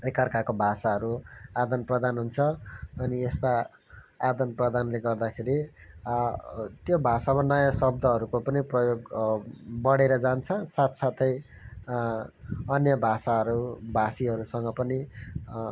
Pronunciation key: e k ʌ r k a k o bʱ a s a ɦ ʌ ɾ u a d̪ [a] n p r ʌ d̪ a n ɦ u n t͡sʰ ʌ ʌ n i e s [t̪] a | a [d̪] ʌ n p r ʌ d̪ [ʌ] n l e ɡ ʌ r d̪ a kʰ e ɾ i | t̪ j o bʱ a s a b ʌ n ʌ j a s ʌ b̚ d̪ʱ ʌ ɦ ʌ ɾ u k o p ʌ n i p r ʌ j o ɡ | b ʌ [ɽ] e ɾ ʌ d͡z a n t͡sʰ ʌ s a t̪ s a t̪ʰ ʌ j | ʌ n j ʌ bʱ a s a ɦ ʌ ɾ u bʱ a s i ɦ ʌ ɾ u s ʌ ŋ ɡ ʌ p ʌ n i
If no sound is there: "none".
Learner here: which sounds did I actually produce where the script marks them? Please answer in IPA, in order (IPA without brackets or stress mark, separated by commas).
ʌ, t̪, d̪, a, ɽ